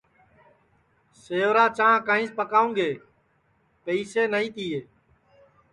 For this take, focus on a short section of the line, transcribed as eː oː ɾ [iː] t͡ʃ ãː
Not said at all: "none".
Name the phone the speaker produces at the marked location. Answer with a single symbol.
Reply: aː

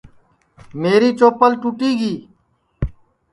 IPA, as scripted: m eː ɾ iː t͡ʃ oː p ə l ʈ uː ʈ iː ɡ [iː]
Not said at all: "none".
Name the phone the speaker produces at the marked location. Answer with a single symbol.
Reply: iː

